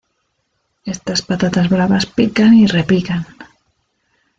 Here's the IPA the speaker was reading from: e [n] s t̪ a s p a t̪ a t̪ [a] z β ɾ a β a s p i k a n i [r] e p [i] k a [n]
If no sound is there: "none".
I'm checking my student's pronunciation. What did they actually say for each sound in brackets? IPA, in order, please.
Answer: none, a, r, i, n

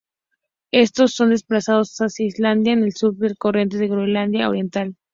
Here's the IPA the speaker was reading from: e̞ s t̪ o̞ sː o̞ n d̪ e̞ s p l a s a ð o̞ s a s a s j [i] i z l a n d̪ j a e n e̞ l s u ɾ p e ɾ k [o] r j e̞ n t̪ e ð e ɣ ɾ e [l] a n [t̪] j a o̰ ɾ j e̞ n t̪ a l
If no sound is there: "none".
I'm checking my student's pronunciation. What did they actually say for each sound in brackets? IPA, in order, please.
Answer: a, o, l, d̪

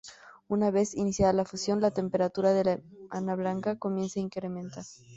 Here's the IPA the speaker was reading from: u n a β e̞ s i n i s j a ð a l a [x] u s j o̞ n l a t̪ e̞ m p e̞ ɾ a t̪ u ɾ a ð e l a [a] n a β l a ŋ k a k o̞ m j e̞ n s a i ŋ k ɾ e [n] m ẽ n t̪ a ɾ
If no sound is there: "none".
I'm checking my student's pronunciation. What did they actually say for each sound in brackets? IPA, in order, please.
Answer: f, a, none

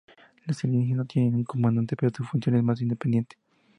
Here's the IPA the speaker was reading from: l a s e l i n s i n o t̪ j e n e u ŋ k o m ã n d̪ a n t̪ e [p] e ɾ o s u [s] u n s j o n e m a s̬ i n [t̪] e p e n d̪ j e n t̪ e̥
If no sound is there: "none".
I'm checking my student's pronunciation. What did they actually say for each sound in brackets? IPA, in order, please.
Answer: p, f, d̪

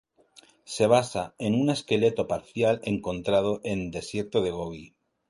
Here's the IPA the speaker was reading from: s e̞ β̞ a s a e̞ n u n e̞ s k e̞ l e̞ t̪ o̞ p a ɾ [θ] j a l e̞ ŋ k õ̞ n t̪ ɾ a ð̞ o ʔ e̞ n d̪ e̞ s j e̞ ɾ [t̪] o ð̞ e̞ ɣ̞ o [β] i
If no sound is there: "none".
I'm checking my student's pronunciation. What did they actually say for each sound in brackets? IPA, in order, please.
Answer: θ, t̪, β

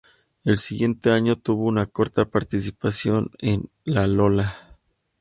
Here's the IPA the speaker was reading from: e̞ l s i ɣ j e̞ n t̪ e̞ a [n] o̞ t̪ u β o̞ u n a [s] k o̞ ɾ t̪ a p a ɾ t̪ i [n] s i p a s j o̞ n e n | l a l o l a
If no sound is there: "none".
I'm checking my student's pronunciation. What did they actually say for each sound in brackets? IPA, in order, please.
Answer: ɲ, none, none

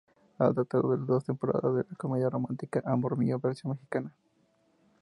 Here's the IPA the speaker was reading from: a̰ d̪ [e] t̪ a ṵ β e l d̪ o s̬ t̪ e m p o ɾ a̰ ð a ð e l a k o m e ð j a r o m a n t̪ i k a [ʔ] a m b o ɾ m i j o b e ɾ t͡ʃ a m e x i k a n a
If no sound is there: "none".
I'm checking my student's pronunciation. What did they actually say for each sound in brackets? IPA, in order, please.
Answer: a, ʔ

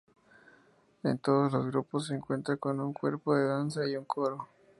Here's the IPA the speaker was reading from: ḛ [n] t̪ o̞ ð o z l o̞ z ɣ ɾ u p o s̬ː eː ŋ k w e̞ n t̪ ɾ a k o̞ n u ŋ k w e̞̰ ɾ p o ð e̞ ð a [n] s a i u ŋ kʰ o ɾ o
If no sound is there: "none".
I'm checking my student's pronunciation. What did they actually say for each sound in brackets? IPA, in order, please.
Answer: n, n

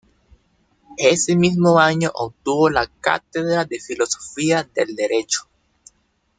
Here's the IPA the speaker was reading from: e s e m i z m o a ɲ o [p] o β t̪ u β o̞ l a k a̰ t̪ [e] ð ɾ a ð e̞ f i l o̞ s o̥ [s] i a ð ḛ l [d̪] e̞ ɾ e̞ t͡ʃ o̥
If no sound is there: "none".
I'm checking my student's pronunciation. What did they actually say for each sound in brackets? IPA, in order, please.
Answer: ʔ, e, f, d̪

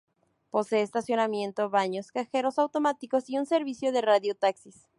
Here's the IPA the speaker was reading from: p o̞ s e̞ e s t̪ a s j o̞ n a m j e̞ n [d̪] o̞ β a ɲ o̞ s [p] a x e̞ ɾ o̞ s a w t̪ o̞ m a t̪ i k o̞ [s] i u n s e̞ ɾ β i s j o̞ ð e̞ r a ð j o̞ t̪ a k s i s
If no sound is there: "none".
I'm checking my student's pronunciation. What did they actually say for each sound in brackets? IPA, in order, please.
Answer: t̪, k, s

